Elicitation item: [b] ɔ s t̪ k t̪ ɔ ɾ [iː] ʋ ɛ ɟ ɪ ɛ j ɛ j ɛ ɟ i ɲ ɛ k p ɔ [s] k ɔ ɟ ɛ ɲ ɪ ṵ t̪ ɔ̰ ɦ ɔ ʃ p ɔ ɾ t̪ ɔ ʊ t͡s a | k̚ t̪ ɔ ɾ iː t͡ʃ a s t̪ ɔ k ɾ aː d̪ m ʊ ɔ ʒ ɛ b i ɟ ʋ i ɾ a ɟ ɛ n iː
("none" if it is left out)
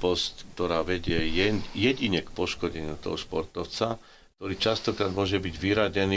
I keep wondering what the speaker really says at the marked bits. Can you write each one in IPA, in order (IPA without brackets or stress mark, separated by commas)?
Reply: p, aː, ʃ